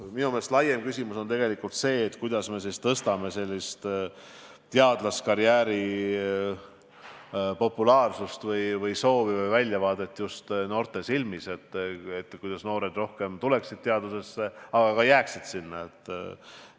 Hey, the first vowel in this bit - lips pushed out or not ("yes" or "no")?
no